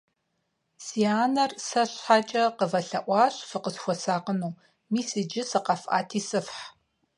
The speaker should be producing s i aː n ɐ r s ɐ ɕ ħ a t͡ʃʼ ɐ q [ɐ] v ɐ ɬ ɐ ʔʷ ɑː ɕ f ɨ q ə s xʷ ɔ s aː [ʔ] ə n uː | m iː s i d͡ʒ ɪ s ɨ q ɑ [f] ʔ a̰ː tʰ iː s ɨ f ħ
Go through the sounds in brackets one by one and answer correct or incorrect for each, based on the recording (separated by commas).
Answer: incorrect, incorrect, correct